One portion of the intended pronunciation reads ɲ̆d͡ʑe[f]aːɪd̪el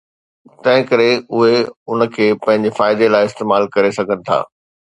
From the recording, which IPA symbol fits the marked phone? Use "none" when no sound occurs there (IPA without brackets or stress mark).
f